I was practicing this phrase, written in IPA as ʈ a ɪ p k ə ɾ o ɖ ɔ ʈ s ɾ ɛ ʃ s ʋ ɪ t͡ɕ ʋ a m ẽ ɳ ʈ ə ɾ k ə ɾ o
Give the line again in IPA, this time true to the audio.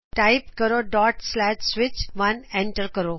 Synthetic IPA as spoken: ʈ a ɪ p k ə ɾ o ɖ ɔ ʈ s l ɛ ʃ s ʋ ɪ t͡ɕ ʋ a n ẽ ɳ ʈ ə ɾ k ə ɾ o